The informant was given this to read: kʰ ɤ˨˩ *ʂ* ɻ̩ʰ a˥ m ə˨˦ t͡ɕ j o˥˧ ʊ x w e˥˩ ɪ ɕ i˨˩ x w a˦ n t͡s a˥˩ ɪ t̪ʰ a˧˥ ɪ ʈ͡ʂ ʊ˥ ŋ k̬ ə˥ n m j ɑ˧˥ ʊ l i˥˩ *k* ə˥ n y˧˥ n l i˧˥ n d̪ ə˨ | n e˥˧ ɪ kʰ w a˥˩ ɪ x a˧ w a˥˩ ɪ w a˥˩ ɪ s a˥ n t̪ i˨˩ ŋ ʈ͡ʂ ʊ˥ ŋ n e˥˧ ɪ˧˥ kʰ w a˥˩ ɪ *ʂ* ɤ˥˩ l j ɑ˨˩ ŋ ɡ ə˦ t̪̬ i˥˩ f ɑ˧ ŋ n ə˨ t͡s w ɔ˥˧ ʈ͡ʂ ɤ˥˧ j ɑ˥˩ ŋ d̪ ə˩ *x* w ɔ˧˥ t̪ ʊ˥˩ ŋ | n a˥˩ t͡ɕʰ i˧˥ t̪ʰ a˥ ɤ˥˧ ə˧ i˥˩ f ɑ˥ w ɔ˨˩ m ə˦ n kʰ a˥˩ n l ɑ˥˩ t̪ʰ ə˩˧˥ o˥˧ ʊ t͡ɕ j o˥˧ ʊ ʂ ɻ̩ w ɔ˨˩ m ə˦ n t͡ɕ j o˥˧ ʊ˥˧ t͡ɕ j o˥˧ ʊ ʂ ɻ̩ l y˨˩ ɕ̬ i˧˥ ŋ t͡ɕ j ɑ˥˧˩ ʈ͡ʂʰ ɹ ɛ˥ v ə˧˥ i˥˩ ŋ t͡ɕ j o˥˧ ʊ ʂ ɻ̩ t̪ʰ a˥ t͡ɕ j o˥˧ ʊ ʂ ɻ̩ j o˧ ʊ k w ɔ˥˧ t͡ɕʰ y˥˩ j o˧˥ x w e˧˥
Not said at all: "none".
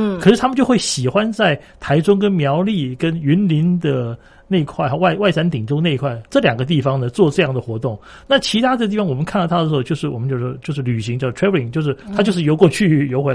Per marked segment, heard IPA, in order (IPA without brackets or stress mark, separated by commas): ʂ, k, ʈ͡ʂ, x